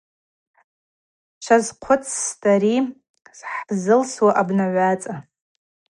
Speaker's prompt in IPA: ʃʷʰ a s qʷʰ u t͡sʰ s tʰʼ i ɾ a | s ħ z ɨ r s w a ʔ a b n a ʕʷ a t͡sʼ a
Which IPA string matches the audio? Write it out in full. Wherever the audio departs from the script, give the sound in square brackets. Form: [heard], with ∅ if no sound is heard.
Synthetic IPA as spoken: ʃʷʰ a [z] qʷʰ [ʊ] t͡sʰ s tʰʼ [a] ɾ [i] | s ħ z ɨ [l] s w a ʔ a b n a ʕʷ a t͡sʼ a